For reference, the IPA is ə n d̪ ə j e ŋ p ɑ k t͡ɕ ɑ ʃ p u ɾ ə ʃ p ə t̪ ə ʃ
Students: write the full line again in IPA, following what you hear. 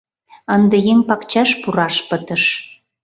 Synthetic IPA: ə n d̪ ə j e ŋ p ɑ k t͡ɕ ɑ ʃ p u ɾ ɑ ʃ p ə t̪ ə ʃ